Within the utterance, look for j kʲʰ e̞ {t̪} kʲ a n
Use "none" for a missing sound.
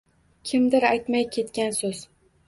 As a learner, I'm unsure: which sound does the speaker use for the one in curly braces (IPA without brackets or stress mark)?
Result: t̪